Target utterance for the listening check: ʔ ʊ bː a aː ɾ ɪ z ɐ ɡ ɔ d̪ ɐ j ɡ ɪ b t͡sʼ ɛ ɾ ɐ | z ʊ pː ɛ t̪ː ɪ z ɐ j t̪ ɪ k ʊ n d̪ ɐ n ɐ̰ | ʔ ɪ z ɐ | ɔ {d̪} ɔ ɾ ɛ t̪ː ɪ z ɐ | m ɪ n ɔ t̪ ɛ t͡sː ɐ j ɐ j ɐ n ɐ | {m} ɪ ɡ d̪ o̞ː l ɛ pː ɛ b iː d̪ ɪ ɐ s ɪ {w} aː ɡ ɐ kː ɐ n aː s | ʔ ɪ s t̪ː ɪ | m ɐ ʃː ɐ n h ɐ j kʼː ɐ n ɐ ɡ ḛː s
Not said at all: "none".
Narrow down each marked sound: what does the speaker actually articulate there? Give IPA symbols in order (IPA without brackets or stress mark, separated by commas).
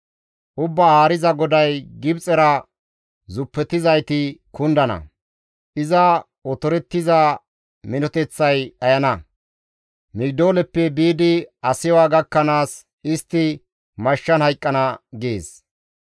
t̪, m, w